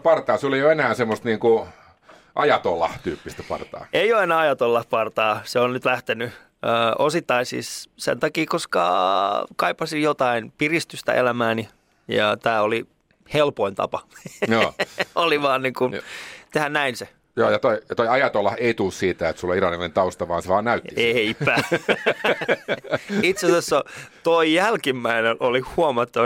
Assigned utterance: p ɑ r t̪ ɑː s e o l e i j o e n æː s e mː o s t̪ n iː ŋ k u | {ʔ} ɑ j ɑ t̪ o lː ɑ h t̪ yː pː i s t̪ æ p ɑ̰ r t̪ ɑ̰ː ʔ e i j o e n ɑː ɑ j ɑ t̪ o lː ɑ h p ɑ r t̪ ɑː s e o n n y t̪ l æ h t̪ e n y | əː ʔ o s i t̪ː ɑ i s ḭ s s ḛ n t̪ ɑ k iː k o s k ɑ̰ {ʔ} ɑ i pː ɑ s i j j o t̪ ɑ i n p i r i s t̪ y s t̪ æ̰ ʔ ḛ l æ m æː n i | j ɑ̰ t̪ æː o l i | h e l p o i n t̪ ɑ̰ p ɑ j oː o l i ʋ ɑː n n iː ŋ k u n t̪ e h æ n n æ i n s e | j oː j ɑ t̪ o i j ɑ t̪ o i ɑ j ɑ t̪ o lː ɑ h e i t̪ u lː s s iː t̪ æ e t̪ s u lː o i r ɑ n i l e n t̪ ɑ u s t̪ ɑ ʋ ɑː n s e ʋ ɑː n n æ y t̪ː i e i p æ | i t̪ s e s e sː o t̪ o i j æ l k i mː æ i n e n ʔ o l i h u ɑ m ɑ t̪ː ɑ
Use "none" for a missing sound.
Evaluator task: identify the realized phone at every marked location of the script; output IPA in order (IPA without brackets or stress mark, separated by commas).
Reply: ʔ, k